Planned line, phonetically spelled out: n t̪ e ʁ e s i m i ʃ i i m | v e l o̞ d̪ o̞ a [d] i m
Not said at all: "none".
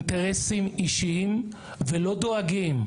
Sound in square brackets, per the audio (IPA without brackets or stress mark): ɡ